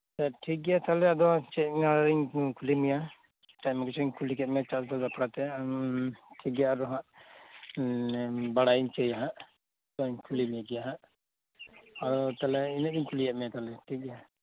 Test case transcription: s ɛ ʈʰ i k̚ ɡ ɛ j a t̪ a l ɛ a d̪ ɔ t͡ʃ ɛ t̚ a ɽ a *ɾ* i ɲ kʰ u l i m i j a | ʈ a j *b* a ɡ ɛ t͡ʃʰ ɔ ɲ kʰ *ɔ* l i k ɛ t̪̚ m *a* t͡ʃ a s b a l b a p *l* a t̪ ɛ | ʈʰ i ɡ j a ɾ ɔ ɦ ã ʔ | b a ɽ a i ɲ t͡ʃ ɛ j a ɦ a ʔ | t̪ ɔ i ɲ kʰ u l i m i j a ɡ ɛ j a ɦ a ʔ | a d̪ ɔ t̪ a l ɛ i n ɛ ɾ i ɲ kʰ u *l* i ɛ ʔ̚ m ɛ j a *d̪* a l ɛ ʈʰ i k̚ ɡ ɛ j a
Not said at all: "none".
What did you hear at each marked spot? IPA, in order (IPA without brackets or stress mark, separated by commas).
ɾ, m, u, ɛ, ɽ, l, t̪